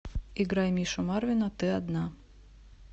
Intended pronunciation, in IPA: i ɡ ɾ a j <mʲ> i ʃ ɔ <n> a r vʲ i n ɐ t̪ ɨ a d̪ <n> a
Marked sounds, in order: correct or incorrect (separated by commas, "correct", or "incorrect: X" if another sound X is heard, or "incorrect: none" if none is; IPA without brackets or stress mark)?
correct, incorrect: m, correct